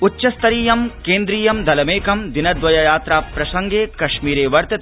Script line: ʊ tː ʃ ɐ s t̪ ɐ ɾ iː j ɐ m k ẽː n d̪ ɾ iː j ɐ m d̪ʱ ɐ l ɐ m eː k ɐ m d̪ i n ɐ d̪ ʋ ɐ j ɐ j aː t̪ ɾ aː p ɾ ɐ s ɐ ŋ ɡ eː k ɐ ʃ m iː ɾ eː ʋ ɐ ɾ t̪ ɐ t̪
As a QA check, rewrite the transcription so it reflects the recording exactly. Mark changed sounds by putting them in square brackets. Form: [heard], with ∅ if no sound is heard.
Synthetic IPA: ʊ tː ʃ ɐ s t̪ ɐ ɾ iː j ɐ m k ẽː n d̪ ɾ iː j ɐ m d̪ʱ ɐ l ɐ m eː k ɐ m d̪ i n ɐ d̪ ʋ ɐ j ɐ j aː t̪ ɾ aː p ɾ ɐ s ɐ ŋ ɡ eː k ɐ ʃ m iː ɾ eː ʋ ɐ ɾ t̪ ɐ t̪